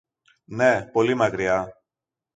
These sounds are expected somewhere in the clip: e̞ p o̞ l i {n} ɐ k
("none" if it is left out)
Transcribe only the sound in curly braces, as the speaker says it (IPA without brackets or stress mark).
m